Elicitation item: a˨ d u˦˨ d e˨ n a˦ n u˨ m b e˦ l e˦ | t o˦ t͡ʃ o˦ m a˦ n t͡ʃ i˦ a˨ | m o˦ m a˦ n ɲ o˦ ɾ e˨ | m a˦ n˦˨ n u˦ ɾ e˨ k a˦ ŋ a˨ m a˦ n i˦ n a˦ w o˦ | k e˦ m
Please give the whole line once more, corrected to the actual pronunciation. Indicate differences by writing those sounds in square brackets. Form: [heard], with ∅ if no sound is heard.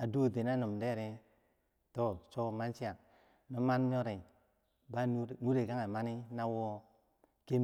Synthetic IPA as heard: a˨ d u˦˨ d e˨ n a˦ n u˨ m [d] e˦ [ɾ] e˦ | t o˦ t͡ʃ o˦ m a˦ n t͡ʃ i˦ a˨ | [n] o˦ m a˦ n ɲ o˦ ɾ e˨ | [b] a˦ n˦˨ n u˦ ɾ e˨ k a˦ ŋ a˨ m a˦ n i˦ n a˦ w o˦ | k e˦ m